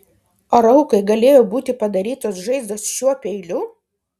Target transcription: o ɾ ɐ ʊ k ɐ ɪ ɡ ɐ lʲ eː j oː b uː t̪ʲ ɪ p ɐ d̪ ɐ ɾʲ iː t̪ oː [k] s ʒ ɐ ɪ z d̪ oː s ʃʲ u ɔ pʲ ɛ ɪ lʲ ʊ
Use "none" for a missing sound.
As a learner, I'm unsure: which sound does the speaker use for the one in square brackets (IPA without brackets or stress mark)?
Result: none